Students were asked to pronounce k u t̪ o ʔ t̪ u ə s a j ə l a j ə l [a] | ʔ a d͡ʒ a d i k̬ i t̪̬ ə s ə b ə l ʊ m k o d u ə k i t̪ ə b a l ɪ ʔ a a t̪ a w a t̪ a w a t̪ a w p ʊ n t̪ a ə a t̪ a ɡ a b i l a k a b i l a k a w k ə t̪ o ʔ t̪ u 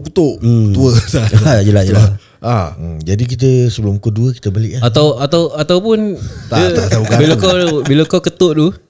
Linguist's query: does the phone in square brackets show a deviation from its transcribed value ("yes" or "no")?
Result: no